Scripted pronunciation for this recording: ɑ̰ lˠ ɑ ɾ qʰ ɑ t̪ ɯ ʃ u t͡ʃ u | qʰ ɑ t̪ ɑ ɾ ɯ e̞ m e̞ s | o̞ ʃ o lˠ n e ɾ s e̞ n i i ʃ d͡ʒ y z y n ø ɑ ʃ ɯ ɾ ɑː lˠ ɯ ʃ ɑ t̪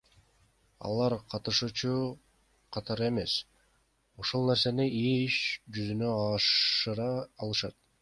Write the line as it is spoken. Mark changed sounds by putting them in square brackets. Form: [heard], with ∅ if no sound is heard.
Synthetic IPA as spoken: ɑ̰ lˠ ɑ ɾ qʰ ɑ t̪ ɯ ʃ u t͡ʃ u | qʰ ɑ t̪ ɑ ɾ ɯ e̞ m e̞ s | o̞ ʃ o lˠ n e ɾ s e̞ n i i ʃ d͡ʒ y z y n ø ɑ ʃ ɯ ɾ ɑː lˠ ɯ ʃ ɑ t̪